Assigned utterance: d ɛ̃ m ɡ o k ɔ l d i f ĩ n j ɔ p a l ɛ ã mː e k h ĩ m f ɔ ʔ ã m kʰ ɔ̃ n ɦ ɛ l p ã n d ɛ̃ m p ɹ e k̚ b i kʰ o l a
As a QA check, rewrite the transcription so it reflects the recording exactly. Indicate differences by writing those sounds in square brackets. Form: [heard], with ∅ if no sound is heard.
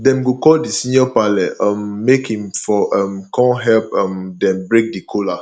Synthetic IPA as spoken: d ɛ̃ m ɡ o k ɔ l d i [s] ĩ n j ɔ p a l ɛ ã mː e k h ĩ m f ɔ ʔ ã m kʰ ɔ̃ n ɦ ɛ l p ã [m] d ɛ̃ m [b] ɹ e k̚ [d] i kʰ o l a